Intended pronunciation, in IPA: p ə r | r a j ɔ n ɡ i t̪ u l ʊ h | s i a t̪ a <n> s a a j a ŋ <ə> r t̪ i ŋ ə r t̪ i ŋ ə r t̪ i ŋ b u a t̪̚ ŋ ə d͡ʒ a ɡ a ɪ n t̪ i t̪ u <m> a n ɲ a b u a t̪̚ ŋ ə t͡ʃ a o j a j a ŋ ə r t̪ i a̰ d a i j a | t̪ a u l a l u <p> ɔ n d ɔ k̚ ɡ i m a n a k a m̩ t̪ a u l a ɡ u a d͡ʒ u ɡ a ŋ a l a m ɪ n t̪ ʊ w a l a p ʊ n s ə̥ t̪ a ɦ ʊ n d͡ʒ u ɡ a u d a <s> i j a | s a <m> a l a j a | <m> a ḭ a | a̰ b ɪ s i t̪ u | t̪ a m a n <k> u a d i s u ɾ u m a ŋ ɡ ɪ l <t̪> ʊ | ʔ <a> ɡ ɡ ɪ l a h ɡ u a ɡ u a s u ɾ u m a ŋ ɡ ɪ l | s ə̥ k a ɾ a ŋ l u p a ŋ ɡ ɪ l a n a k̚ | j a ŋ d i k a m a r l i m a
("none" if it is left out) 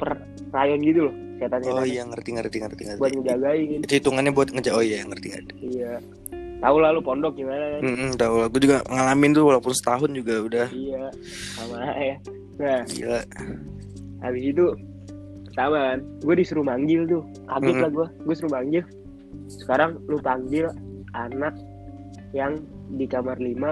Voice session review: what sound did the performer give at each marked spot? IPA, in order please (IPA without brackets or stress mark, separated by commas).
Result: n, ə, ŋ, p, h, m, n, ɡ, t̪, a